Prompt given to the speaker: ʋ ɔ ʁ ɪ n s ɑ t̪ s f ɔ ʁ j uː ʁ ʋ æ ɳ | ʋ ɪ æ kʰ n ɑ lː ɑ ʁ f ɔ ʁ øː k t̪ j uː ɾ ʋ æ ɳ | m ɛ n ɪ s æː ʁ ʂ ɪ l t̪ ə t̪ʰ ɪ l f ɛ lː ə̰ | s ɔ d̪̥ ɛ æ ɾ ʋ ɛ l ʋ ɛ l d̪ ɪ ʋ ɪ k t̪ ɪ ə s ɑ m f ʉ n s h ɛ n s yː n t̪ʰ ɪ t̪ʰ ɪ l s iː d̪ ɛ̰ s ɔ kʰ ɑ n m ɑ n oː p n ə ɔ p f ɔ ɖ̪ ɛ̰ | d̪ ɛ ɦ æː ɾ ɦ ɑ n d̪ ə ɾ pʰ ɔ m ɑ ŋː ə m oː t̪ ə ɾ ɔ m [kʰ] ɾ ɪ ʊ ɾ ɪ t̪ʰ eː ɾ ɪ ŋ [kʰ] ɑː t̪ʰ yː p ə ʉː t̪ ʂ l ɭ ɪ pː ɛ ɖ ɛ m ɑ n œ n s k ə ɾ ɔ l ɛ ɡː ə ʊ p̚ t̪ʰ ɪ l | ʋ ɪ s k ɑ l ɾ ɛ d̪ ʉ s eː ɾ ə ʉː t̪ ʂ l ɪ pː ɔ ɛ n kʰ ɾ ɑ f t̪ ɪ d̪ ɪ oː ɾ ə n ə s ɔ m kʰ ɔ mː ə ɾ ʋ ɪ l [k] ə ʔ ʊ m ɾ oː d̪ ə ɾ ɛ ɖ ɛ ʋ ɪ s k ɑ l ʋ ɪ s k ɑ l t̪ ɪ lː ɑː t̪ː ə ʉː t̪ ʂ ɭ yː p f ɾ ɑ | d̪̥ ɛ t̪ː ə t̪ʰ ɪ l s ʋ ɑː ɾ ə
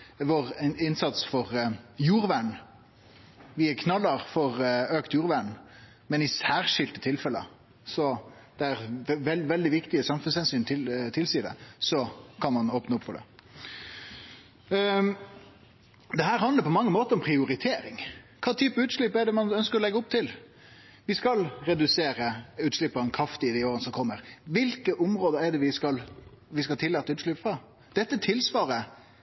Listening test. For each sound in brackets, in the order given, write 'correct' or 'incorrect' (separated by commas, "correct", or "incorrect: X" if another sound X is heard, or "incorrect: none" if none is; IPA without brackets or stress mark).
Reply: incorrect: pʰ, correct, correct